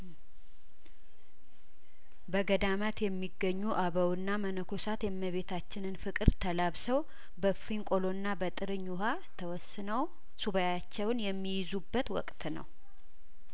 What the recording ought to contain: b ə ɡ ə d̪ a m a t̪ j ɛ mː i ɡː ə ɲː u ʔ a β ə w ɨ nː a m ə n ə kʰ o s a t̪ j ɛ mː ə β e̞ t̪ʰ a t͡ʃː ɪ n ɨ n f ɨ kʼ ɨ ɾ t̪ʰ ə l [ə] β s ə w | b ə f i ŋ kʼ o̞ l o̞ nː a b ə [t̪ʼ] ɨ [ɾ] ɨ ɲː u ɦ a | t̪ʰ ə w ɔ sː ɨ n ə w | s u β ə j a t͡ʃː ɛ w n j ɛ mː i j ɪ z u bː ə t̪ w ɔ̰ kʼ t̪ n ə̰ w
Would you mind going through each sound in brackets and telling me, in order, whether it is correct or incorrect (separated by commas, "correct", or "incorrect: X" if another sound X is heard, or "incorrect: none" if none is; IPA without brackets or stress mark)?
incorrect: a, correct, correct